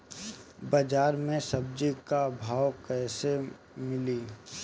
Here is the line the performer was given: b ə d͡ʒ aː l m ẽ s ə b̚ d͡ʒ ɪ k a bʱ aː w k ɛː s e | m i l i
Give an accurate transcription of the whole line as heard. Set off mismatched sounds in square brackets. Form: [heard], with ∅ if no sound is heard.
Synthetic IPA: b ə d͡ʒ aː [ɾ] m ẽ s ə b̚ d͡ʒ [i] k a bʱ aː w k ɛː s e | m [ɪ] l i